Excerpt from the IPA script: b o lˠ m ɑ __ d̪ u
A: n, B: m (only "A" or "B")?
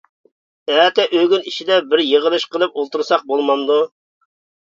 A